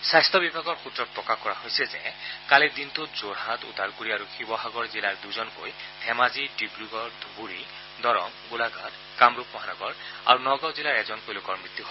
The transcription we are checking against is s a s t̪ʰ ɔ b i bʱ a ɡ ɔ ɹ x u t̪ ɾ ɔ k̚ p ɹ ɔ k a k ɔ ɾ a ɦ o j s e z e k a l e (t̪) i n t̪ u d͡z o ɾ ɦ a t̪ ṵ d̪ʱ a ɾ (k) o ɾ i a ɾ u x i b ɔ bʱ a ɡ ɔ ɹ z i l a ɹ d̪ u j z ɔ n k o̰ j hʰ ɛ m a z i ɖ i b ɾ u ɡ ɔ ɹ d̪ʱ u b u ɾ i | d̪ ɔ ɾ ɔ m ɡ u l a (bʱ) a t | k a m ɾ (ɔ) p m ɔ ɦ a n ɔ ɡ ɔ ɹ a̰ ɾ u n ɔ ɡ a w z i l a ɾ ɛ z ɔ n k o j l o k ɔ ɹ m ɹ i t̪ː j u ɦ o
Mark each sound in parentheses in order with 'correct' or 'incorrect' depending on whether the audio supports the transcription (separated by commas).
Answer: incorrect, correct, incorrect, incorrect